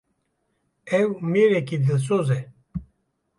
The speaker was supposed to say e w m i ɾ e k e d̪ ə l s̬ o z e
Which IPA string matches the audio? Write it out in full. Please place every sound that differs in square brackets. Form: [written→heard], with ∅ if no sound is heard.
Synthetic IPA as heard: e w m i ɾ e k [e→i] d̪ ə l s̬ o z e